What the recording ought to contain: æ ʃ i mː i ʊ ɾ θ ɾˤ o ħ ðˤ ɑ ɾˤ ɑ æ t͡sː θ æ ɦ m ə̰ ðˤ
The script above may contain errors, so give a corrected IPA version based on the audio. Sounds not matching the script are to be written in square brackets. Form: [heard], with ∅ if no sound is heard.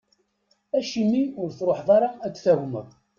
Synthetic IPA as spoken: æ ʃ i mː i ʊ ɾ θ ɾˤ o ħ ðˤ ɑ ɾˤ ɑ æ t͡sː θ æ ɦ m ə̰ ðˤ